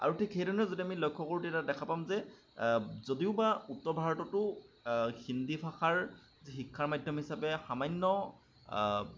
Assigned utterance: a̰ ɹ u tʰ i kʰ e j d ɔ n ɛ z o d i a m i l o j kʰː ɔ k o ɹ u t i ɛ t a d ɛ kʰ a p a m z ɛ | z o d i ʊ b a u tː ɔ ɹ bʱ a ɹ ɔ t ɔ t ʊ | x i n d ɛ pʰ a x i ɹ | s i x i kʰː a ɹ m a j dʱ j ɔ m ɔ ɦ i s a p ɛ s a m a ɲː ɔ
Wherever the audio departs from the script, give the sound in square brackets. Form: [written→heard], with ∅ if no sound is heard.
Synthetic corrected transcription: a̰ ɹ u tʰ i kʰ e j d ɔ n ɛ z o d i a m i l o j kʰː ɔ k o ɹ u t i ɛ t a d ɛ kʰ a p a m z ɛ | z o d i ʊ b a u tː ɔ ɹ bʱ a ɹ ɔ t ɔ t ʊ | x i n d [ɛ→i] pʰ a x [i→a] ɹ | [s→z] i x i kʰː a ɹ m a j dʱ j ɔ m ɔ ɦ i s a p ɛ [s→x] a m a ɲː ɔ

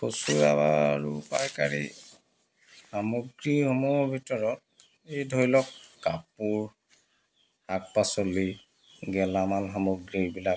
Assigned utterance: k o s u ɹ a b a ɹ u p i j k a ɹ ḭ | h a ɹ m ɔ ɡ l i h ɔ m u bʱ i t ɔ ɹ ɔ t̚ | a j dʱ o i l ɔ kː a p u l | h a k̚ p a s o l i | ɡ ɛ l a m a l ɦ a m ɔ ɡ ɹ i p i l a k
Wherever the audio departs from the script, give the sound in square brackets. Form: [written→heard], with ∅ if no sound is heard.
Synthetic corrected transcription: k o s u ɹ a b a ɹ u p [i→a] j k a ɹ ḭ | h a [ɹ→∅] m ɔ ɡ [l→ɹ] i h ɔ m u bʱ i t ɔ ɹ ɔ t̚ | [a→e] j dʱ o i l ɔ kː a p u [l→ɹ] | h a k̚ p a s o l i | ɡ ɛ l a m a l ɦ a m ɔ ɡ ɹ i [p→b] i l a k

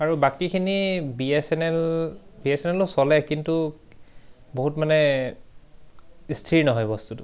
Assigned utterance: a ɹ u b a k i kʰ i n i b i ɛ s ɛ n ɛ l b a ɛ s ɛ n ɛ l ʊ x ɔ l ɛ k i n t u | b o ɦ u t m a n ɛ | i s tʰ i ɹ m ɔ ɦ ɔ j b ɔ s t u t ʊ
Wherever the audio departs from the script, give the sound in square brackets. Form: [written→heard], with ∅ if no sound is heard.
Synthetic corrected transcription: a ɹ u b a k i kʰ i n i b i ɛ s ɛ n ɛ l b [a→i] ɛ s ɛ n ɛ l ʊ [x→s] ɔ l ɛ k i n t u | b o ɦ u t m a n ɛ | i s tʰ i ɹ [m→n] ɔ ɦ ɔ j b ɔ s t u t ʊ

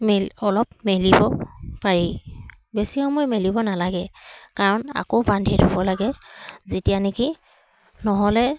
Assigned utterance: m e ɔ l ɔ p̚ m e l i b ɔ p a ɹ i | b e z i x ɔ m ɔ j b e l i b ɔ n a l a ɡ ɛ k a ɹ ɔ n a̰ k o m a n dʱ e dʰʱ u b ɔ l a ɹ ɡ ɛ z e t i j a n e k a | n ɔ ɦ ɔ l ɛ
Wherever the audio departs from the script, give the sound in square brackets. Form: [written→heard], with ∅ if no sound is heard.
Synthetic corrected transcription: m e ɔ l ɔ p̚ m e l i b ɔ p a ɹ i | b e [z→s] i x ɔ m ɔ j [b→m] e l i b ɔ n a l a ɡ ɛ k a ɹ ɔ n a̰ k o [m→b] a n dʱ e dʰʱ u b ɔ l a [ɹ→∅] ɡ ɛ z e t i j a n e k [a→i] | n ɔ ɦ ɔ l ɛ

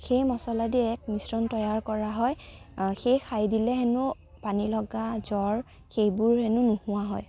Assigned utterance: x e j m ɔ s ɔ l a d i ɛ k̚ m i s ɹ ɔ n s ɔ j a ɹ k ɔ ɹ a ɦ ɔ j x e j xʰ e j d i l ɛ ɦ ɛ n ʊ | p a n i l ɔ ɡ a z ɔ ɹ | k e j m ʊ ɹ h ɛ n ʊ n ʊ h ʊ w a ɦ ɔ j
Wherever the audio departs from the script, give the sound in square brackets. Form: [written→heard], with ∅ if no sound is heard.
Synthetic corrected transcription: x e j m ɔ s ɔ l a d i ɛ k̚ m i s ɹ ɔ n [s→t] ɔ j a ɹ k ɔ ɹ a ɦ ɔ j x e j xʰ [e→a] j d i l ɛ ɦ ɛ n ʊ | p a n i l ɔ ɡ a z ɔ ɹ | [k→x] e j [m→b] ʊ ɹ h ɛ n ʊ n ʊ h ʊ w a ɦ ɔ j

